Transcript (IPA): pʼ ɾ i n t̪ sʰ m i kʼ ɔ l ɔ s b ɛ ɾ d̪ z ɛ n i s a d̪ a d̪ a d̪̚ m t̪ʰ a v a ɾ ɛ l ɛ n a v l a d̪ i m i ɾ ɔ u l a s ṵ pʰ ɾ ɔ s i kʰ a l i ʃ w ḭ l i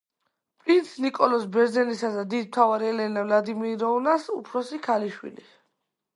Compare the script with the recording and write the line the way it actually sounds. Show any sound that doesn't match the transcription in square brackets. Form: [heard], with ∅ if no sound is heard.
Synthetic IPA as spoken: pʼ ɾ i n t̪ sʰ [n] i kʼ ɔ l ɔ s b ɛ ɾ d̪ z ɛ n i s a d̪ a d̪ [i] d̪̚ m t̪ʰ a v a ɾ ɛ l ɛ n a v l a d̪ i m i ɾ ɔ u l a s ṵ pʰ ɾ ɔ s i kʰ a l i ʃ w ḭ l i